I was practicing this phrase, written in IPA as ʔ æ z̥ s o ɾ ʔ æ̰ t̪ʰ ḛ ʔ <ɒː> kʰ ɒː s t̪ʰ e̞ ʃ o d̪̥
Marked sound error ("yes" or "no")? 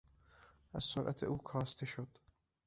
yes